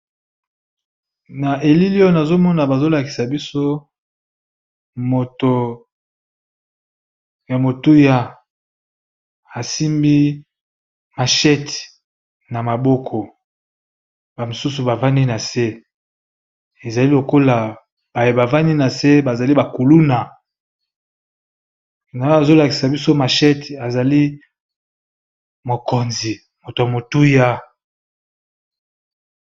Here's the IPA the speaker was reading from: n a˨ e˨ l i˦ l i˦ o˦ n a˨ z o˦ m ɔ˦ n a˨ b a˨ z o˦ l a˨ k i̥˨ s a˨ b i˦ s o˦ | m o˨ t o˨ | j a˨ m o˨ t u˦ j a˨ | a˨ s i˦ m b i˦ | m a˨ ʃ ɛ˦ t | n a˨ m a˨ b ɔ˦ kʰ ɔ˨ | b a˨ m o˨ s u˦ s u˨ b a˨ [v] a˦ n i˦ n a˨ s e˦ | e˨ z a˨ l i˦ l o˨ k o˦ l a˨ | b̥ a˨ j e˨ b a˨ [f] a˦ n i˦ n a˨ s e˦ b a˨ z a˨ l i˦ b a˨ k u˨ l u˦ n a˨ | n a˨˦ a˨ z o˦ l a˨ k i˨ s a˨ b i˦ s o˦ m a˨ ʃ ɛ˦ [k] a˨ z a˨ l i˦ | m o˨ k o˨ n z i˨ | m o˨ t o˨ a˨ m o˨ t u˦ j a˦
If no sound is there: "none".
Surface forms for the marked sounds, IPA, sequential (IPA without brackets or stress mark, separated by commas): v, v, t